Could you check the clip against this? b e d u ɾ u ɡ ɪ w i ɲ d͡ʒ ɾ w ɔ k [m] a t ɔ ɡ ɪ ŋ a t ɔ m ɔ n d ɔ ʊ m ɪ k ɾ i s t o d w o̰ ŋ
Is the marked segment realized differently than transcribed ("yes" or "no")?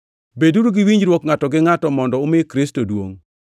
yes